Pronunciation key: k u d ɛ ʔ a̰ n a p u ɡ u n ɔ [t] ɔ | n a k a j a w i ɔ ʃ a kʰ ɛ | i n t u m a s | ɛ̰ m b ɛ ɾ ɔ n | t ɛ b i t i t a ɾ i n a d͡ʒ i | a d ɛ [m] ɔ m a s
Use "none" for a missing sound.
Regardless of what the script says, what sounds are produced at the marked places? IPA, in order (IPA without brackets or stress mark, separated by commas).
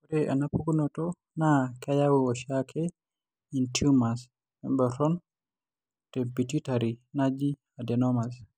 t, n